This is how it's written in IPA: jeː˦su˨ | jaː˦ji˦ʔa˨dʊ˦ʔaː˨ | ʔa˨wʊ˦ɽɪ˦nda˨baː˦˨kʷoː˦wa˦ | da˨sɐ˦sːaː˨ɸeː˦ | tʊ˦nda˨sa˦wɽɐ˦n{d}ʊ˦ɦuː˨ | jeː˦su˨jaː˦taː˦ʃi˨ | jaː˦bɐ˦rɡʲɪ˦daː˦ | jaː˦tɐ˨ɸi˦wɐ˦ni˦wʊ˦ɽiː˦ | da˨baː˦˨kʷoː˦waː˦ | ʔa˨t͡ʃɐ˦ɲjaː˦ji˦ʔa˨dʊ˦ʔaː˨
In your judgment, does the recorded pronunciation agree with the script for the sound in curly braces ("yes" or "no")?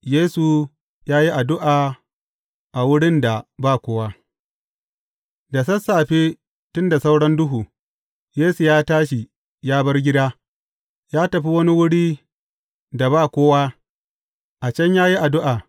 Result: yes